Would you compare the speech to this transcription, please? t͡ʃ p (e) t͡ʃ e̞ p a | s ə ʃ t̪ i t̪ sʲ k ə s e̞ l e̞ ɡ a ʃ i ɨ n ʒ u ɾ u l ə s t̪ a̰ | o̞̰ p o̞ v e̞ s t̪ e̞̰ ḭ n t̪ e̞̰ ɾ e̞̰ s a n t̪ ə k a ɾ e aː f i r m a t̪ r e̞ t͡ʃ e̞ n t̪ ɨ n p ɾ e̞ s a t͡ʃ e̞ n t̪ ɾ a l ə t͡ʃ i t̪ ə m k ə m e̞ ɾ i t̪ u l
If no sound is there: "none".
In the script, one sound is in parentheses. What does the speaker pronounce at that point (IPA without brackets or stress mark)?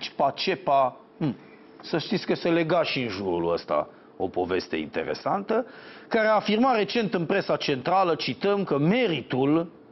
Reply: a